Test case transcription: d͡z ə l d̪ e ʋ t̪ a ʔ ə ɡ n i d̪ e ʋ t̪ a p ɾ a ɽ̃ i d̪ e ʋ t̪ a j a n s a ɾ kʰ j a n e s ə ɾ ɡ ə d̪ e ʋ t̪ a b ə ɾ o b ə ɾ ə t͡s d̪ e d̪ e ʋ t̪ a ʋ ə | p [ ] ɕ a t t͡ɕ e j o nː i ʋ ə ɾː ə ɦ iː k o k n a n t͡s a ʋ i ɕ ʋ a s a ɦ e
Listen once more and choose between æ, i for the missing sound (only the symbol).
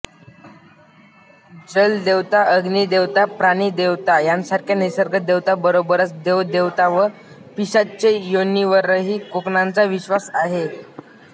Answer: i